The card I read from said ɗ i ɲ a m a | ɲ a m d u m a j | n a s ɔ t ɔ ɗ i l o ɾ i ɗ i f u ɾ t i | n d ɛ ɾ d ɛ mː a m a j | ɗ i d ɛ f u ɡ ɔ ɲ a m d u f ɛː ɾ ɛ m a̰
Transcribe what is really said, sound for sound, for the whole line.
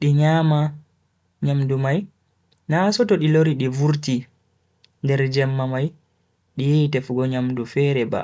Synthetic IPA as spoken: ɗ i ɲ a m a | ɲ a m d u m a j | n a s ɔ t ɔ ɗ i l o ɾ i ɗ i v u ɾ t i | n d ɛ ɾ d͡ʒ ɛ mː a m a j | ɗ i t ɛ f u ɡ ɔ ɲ a m d u f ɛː ɾ ɛ b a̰